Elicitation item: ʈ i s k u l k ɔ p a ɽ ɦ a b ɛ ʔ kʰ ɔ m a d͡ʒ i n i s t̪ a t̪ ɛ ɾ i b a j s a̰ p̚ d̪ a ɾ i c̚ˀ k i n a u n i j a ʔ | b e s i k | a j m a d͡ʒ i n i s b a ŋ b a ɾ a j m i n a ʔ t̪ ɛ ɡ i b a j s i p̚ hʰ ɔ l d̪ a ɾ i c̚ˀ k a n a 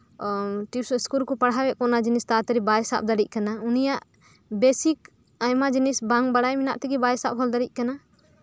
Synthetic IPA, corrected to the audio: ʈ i s k u l k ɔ p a ɽ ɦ a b ɛ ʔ k ɔ n a d͡ʒ i n i s t̪ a t̪ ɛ ɾ i b a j s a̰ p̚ d̪ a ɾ i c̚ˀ k a n a u n i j a ʔ | b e s i k | a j m a d͡ʒ i n i s b a ŋ b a ɽ a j m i n a ʔ t̪ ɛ ɡ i b a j s a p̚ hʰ ɔ l d̪ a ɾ i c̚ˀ k a n a